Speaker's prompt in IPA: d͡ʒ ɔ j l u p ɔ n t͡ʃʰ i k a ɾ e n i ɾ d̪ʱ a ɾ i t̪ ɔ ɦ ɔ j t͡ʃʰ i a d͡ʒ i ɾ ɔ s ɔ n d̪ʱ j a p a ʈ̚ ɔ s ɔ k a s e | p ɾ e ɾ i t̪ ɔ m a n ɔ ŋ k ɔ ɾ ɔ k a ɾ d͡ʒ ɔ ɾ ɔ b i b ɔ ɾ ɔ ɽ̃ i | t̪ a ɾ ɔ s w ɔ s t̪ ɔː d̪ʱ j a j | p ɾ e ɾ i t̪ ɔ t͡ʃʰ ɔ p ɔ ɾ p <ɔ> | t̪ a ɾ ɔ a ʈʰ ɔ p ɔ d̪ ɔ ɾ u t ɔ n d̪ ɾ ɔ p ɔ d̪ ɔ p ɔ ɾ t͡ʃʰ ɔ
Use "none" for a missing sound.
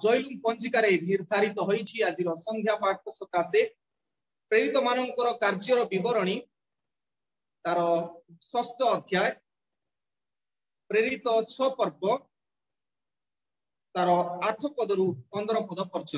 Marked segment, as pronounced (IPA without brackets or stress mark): ɔ